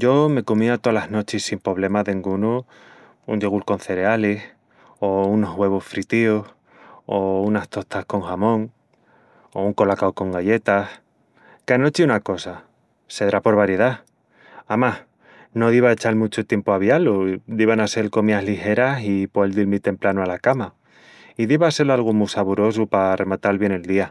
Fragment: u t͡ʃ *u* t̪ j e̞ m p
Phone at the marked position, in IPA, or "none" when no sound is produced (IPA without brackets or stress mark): o